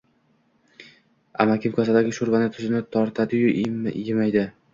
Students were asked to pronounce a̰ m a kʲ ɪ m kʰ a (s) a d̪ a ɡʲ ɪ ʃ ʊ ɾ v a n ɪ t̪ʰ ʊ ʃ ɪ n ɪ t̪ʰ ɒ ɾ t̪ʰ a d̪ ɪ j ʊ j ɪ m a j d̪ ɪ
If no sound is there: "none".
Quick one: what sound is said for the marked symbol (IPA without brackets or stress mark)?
s